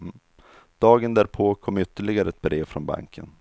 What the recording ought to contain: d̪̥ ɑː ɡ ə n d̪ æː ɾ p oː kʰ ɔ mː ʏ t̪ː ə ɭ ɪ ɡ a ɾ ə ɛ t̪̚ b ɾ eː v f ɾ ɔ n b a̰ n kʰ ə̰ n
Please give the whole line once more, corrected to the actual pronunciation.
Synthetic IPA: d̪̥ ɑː ɡ ə n d̪ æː ɾ pʰ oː kʰ ɔ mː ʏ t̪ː ə ɭ ɪ ɡ a ɾ ə ɛ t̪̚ b ɾ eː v f ɾ ɔ n b a̰ ŋ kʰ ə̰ n